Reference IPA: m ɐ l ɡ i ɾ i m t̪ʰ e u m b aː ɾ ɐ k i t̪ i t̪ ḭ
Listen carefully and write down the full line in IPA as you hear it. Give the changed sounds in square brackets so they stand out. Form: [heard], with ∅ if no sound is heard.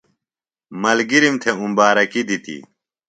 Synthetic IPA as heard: m ɐ l ɡ i ɾ i m t̪ʰ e u m b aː ɾ ɐ k i [d̪] i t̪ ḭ